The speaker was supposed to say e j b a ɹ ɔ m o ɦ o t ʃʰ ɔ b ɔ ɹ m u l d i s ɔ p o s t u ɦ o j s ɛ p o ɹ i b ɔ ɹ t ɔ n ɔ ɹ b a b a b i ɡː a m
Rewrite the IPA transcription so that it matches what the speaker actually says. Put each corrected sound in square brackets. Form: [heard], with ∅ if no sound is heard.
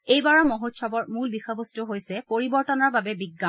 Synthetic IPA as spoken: e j b a ɹ ɔ m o ɦ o t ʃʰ ɔ b ɔ ɹ m u l [b] i [x] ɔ [b] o s t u ɦ o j s ɛ p o ɹ i b ɔ ɹ t ɔ n ɔ ɹ b a b [ɛ] b i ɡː a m